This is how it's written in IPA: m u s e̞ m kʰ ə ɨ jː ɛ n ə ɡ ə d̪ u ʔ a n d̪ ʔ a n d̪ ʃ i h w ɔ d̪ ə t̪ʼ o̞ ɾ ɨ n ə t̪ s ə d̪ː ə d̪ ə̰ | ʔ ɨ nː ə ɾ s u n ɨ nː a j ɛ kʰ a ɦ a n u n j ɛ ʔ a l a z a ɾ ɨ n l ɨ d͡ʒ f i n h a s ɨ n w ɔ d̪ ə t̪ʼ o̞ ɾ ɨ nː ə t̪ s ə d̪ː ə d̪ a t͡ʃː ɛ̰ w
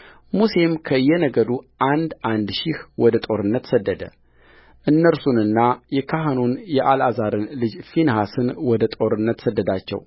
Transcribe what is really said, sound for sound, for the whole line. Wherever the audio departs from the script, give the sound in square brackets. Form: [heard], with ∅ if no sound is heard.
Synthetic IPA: m u s e̞ m kʰ ə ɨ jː ɛ n ə ɡ ə d̪ u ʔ a n d̪ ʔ a n d̪ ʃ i h w ɔ d̪ ə t̪ʼ o̞ ɾ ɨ [nː] ə t̪ s ə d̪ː ə d̪ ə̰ | ʔ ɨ nː ə ɾ s u n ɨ nː a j ɛ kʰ a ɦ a n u n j ɛ ʔ a l a z a ɾ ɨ n l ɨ d͡ʒ f i n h a s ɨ n w ɔ d̪ ə t̪ʼ o̞ ɾ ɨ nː ə t̪ s ə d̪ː ə d̪ a t͡ʃː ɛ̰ w